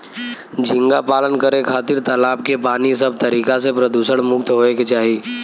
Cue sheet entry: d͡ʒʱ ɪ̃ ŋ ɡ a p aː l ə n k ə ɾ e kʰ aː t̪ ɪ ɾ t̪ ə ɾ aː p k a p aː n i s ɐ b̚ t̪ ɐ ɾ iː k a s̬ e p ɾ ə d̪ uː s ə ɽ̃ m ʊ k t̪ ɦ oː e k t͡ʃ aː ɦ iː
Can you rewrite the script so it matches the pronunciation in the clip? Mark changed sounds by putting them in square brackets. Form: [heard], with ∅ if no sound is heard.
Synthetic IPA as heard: d͡ʒʱ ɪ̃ ŋ ɡ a p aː l ə n k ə ɾ e kʰ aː t̪ ɪ ɾ t̪ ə [l] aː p k [e] p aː n i s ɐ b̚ t̪ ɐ ɾ iː k a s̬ e p ɾ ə d̪ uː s ə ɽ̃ m ʊ k t̪ ɦ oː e k t͡ʃ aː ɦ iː